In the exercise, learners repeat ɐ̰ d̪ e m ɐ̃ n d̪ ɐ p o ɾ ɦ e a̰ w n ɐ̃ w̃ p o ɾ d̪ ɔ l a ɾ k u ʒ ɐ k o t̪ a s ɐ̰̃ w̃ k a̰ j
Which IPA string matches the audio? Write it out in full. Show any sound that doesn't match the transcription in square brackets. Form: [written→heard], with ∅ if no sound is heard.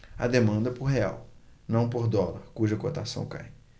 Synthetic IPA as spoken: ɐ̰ d̪ e m ɐ̃ n d̪ ɐ p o ɾ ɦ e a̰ w n ɐ̃ w̃ p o ɾ d̪ ɔ l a ɾ k u ʒ ɐ k o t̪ a s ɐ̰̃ w̃ k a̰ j